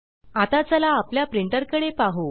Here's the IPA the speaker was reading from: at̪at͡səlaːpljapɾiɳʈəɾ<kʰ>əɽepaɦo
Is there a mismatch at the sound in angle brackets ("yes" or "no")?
yes